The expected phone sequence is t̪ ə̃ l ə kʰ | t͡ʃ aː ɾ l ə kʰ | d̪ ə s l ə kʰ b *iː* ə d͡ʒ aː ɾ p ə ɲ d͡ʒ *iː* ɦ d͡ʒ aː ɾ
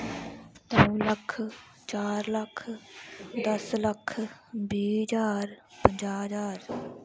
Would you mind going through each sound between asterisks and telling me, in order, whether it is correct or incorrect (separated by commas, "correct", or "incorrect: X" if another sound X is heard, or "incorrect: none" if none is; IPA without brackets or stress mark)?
correct, incorrect: aː